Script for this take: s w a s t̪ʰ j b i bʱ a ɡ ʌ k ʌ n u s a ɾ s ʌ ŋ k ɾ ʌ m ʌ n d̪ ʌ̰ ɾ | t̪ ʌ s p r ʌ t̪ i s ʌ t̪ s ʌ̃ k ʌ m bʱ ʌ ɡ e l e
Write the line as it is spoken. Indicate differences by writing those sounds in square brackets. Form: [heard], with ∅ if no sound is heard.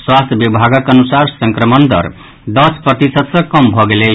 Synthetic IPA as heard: s w a s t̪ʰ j b i bʱ a ɡ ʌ k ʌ n u s a ɾ s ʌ ŋ k ɾ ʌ m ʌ n d̪ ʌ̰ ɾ | [d̪] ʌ s p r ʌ t̪ i s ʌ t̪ s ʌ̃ k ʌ m bʱ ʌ ɡ e l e